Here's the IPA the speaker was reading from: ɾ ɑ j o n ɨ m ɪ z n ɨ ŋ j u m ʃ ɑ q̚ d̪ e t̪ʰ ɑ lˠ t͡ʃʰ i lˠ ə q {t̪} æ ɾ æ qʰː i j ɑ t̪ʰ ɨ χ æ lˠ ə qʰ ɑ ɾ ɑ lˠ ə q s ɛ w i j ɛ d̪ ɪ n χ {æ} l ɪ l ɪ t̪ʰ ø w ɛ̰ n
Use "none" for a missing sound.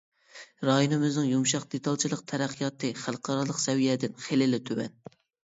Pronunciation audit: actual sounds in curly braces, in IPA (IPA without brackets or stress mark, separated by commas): t̪ʰ, e